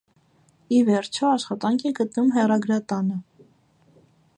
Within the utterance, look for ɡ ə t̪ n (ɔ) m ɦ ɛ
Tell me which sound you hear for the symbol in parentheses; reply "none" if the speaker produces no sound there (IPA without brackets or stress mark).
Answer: u